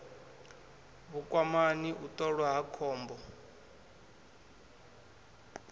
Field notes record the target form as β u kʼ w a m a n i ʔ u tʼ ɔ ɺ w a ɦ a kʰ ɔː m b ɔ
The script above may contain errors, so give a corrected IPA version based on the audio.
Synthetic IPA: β u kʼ w a m a n i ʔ u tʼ ɔ ɺ w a ɦ a kʰ ɔː m b ɔ